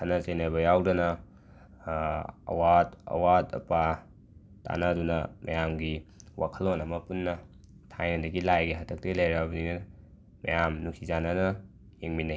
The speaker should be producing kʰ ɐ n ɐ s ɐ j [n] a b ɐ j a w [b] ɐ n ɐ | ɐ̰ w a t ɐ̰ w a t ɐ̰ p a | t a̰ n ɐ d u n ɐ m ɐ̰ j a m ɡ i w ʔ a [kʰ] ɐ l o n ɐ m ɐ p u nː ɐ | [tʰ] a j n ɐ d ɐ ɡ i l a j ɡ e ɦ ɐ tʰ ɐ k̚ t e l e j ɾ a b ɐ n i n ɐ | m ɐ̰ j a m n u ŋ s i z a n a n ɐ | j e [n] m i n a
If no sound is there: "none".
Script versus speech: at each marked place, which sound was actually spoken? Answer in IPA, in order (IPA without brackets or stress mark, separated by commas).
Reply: n, d, kʰ, tʰ, ŋ